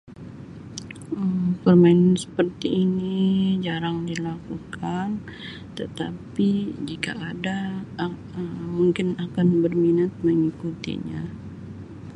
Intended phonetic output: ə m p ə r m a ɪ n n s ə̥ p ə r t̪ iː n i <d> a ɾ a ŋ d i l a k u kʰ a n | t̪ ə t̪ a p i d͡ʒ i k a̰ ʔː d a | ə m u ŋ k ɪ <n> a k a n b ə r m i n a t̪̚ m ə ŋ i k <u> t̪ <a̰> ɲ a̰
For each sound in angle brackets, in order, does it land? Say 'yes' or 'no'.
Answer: no, yes, yes, no

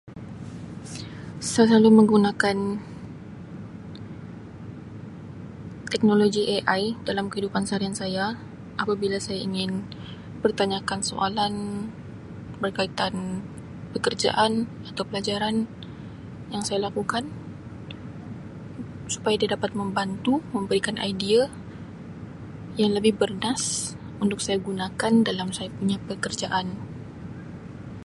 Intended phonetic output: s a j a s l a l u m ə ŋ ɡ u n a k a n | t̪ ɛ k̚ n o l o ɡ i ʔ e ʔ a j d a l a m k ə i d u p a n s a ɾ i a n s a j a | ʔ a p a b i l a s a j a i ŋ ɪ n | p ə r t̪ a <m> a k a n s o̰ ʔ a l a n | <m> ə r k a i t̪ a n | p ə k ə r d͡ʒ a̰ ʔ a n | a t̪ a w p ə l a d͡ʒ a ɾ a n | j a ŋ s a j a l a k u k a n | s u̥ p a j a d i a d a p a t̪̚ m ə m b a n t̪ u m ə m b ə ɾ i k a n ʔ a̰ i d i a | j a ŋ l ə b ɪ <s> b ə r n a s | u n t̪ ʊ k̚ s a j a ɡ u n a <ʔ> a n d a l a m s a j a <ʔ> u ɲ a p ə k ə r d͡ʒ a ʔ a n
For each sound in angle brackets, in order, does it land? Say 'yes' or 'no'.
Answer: no, no, no, no, no

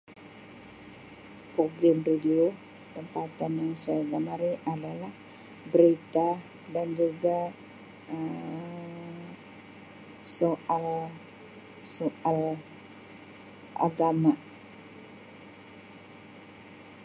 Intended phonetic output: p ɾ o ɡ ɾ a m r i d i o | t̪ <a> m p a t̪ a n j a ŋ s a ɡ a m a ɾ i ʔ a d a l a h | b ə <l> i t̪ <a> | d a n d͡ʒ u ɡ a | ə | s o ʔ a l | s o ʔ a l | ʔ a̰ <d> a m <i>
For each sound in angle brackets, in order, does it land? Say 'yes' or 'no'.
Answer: no, no, yes, no, no

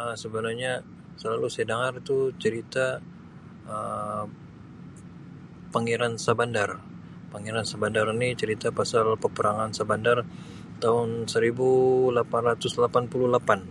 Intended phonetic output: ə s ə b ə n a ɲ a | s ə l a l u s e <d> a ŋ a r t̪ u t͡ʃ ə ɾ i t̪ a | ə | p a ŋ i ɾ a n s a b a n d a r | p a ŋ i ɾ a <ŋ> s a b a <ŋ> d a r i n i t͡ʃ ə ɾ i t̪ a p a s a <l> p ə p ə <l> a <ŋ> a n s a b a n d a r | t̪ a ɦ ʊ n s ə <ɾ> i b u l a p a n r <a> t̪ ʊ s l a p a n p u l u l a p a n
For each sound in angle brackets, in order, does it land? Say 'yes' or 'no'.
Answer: yes, no, no, yes, no, yes, yes, yes

